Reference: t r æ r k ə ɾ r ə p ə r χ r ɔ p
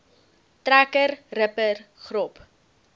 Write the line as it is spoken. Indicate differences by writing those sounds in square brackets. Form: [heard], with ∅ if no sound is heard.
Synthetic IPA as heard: t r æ [∅] k ə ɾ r ə p ə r χ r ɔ p